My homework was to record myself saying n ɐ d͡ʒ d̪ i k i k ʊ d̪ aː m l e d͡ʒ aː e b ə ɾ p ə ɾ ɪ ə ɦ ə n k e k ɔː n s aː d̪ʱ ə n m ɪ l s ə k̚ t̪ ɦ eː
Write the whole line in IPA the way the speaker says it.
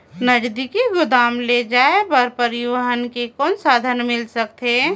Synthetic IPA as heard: n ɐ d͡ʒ d̪ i k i ɡ ʊ d̪ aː m l e d͡ʒ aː e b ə ɾ p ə ɾ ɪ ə ɦ ə n k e k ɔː n s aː d̪ʱ ə n m ɪ l s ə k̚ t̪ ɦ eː